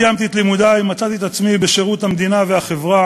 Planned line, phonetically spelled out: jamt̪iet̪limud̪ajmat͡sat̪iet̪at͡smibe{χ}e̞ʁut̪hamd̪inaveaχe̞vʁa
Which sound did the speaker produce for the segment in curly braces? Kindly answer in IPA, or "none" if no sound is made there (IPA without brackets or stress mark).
ʃ